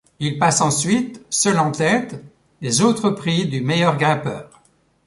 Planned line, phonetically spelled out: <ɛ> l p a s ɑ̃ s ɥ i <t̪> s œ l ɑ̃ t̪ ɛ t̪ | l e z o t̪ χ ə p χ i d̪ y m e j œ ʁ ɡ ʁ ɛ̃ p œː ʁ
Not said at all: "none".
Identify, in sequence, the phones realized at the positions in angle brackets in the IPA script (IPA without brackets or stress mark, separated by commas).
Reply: i, t̪